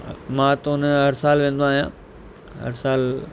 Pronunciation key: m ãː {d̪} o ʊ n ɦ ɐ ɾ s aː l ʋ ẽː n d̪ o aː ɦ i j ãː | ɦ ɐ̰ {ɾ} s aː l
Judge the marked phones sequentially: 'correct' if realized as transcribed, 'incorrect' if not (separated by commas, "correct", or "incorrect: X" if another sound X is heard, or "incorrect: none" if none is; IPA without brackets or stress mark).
incorrect: t̪, correct